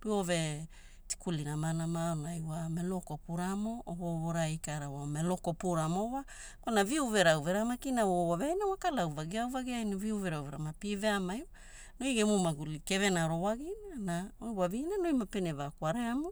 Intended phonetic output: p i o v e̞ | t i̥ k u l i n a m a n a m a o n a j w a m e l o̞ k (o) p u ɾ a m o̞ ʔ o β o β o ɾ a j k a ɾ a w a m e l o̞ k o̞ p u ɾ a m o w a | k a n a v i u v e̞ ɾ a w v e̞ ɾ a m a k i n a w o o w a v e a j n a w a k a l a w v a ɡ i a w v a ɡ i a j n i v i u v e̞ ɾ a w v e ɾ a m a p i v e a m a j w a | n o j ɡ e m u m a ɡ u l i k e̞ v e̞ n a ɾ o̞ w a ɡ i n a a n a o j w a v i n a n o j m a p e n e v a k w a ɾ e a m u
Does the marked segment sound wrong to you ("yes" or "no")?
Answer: no